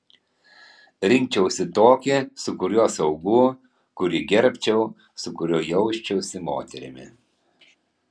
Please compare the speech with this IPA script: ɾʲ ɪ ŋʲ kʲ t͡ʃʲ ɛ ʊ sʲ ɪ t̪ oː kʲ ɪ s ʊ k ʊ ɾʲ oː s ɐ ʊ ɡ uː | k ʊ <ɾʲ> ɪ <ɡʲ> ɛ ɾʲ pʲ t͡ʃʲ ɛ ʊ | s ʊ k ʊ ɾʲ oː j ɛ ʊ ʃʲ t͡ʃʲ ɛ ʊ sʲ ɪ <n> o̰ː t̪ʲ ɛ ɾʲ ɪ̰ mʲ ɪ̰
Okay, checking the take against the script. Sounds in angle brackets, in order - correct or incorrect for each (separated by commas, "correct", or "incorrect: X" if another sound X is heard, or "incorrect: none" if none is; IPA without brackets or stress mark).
correct, correct, incorrect: m